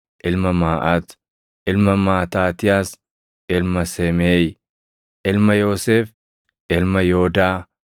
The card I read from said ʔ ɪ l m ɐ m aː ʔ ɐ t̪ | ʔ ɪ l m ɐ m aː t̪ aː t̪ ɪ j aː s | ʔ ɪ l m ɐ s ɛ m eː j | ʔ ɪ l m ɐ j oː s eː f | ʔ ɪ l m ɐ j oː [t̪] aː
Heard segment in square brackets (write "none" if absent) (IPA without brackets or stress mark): d̪